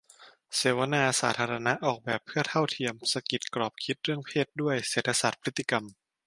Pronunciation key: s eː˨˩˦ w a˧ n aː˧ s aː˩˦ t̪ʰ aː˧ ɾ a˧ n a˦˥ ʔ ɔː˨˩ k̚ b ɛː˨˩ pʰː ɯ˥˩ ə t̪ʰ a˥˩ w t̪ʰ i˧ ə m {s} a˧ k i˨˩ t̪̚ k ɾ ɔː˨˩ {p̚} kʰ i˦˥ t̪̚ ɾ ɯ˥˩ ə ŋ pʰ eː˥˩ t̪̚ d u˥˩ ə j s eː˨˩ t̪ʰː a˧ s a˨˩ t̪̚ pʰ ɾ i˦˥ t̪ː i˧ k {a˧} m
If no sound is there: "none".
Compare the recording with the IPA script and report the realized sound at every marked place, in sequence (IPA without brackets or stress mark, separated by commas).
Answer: s, p̚, a˧